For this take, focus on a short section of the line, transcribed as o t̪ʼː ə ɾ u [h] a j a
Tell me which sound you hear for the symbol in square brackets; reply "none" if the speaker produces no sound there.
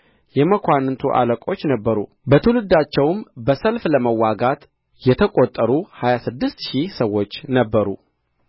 h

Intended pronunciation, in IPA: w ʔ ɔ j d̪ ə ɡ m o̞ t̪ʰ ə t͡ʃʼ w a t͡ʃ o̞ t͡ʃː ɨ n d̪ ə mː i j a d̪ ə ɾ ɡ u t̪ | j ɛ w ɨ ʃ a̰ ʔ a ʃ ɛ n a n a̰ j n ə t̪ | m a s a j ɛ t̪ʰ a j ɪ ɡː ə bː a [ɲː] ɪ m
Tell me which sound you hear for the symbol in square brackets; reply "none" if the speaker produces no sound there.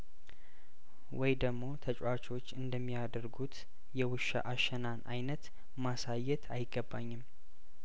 ɲː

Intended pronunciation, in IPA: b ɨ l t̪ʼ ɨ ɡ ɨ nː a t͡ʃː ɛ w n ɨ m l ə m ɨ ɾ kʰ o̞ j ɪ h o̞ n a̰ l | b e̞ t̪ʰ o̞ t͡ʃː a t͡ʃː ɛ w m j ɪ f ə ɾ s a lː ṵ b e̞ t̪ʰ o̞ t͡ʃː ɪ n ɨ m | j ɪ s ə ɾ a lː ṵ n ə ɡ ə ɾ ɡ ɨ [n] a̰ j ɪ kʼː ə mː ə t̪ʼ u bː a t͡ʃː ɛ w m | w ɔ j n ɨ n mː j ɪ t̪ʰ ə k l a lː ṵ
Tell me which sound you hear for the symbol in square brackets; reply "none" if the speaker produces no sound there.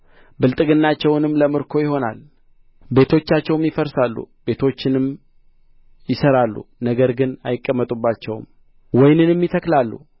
n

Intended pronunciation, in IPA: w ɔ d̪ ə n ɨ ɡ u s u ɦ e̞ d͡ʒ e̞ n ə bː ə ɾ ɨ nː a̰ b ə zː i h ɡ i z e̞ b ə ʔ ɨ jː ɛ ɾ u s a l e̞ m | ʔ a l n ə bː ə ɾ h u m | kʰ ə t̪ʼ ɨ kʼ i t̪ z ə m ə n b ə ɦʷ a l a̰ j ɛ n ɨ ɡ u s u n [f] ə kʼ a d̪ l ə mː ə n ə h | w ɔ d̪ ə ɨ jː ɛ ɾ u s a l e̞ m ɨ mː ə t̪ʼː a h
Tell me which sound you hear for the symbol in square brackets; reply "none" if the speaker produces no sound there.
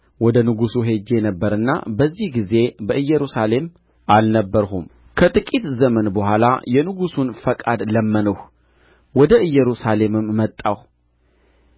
f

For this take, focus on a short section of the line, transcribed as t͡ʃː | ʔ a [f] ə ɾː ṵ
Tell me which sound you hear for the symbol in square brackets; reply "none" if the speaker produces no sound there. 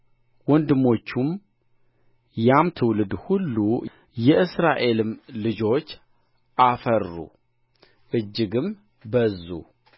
f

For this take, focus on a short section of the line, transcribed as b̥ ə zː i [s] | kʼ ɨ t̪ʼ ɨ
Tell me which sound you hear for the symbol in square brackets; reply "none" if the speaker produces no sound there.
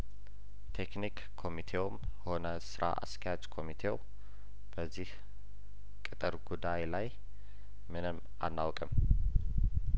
h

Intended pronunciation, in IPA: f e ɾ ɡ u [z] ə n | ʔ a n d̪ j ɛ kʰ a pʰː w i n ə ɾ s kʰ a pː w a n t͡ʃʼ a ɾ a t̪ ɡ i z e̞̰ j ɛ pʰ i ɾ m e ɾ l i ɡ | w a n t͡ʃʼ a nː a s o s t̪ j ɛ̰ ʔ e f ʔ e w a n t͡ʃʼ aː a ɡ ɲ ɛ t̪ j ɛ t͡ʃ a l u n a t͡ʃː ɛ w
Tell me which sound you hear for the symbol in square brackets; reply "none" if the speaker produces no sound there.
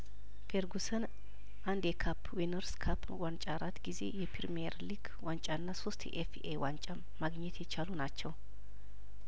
s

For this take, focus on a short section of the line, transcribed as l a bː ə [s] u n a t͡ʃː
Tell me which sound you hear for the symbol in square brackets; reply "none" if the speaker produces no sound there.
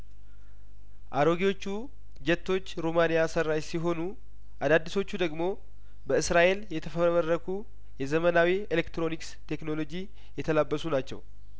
s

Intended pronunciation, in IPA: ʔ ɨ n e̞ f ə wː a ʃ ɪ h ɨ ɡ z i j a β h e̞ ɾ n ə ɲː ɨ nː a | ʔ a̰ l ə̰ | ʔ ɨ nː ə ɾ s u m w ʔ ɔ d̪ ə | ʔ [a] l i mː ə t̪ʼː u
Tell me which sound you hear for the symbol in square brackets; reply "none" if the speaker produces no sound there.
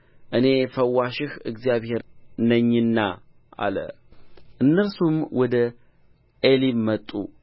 e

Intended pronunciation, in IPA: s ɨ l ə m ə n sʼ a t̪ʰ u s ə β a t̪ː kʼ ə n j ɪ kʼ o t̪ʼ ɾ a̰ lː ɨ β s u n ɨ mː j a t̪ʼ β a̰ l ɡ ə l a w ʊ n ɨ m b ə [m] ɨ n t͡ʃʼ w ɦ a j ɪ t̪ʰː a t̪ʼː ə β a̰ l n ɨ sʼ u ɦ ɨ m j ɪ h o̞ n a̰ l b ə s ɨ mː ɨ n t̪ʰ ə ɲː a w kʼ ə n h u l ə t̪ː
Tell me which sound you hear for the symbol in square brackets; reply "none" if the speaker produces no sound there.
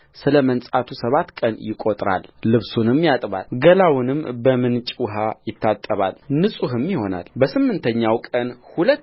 m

